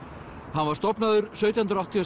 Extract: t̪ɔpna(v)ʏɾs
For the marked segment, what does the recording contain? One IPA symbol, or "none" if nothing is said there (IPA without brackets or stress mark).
ð